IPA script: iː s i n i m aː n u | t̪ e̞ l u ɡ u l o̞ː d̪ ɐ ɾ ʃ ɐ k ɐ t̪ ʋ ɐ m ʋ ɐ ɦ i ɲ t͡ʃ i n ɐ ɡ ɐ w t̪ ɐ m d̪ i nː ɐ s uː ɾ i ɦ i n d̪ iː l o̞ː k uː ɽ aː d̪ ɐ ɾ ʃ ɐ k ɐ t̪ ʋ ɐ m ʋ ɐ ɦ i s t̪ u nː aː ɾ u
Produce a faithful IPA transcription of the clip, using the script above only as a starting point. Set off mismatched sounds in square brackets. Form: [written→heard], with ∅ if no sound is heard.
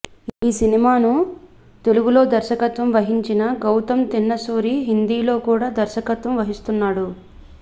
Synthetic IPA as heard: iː s i n i m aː n u | t̪ e̞ l u ɡ u l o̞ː d̪ ɐ ɾ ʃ ɐ k ɐ t̪ ʋ ɐ m ʋ ɐ ɦ i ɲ t͡ʃ i n ɐ ɡ ɐ w t̪ ɐ m [d̪→t̪] i nː ɐ s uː ɾ i ɦ i n d̪ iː l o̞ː k uː ɽ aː d̪ ɐ ɾ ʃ ɐ k ɐ t̪ ʋ ɐ m ʋ ɐ ɦ i s t̪ u nː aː [ɾ→ɽ] u